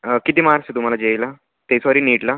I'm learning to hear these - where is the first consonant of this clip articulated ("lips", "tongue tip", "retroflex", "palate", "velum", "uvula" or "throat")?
velum